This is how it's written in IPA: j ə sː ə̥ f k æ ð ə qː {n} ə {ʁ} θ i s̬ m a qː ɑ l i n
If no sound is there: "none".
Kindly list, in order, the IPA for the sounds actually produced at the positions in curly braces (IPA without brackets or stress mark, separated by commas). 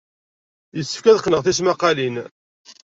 n, ʁ